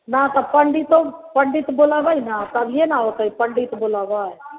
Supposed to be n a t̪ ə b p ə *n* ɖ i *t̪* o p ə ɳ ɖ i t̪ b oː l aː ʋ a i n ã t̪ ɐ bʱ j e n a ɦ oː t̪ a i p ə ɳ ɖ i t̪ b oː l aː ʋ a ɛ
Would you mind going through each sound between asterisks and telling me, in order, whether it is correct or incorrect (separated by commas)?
incorrect, correct